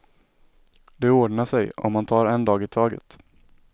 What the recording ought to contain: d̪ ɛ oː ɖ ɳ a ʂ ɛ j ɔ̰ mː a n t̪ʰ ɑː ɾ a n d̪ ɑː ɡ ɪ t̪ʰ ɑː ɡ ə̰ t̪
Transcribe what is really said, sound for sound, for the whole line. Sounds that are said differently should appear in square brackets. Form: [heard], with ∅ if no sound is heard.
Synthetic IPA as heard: d̪ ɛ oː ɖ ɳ a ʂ ɛ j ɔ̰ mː a n t̪ʰ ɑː ɾ [ɛ] n d̪ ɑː ɡ ɪ t̪ʰ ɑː ɡ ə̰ t̪